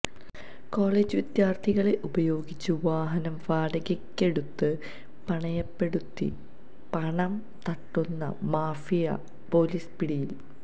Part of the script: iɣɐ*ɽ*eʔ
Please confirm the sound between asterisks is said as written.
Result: no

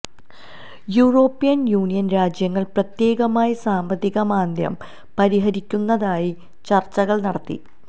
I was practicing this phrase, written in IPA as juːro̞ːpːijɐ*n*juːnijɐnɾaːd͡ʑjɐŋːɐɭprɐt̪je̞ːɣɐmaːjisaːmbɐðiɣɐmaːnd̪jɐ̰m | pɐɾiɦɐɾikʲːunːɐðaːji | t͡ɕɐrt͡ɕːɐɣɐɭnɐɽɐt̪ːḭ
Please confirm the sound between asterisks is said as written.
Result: yes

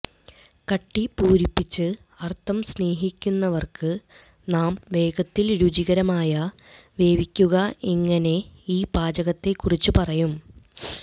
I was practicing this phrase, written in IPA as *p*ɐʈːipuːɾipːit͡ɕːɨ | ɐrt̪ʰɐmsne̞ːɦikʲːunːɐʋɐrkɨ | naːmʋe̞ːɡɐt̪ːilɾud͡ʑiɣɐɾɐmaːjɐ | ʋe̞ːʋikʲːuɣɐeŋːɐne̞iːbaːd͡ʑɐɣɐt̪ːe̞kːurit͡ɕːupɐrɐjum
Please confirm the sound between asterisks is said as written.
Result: no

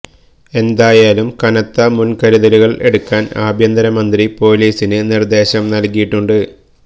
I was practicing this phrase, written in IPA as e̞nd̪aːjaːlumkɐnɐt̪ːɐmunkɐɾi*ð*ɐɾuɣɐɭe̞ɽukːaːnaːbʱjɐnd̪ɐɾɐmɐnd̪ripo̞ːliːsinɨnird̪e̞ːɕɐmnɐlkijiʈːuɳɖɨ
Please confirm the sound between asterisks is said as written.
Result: yes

